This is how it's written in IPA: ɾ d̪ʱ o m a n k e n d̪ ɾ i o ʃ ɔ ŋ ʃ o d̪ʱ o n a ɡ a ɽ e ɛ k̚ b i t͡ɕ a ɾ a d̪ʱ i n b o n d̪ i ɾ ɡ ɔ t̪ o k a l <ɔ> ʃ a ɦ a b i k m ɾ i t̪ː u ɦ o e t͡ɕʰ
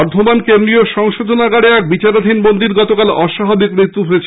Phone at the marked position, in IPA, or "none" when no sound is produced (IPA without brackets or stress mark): ɔ